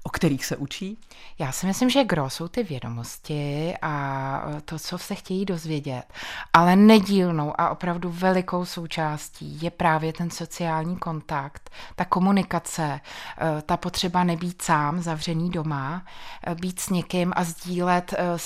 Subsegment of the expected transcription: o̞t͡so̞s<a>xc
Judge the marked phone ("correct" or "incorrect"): incorrect